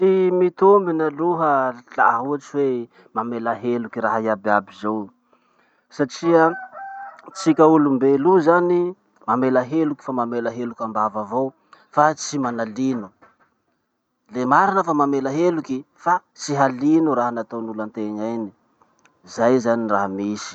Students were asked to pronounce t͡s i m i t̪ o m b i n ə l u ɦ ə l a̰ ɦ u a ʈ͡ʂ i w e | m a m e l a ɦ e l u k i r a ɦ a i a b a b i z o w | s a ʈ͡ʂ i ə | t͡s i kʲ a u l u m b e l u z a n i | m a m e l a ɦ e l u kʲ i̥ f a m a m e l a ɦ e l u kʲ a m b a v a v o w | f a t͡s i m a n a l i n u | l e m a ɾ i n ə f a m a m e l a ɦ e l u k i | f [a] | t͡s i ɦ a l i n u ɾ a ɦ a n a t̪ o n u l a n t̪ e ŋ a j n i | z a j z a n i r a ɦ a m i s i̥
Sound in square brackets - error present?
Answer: no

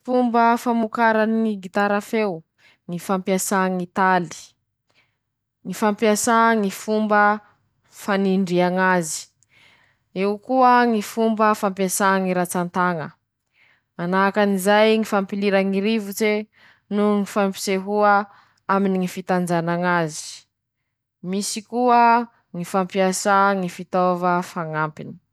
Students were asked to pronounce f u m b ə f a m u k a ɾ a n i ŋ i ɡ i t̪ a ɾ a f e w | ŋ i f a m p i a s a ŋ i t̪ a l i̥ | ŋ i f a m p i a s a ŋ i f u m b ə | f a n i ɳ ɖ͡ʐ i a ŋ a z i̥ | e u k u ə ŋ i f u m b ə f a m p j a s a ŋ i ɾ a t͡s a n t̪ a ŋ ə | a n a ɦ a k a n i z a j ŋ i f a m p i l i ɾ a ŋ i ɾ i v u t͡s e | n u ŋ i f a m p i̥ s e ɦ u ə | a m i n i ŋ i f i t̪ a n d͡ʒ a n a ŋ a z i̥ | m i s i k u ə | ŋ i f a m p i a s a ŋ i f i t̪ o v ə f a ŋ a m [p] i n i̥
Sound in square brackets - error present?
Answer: no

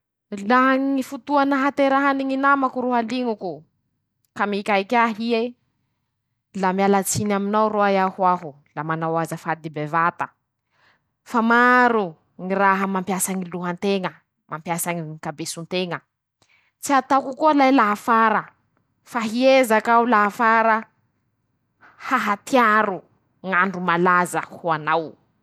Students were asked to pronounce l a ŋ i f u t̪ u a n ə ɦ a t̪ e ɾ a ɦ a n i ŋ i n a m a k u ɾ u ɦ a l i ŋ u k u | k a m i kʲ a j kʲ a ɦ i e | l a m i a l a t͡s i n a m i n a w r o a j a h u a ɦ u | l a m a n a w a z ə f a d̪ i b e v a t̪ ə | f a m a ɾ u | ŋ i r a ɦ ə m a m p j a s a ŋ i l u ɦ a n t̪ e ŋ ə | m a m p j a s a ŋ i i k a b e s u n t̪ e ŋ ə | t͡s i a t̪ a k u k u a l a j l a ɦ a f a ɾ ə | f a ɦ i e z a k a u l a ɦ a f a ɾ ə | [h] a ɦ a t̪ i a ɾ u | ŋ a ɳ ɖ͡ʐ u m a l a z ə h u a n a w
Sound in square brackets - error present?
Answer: no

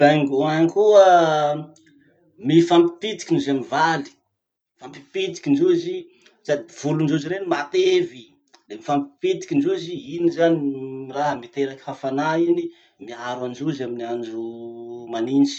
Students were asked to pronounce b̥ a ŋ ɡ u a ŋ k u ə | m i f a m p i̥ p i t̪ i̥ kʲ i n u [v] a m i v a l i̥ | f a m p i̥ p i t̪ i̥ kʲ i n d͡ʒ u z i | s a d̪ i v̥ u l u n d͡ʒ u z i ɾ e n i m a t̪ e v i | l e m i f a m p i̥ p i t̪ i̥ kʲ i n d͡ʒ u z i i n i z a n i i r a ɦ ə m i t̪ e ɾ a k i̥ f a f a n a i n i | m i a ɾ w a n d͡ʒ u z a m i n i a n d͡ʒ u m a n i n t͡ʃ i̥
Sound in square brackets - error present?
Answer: yes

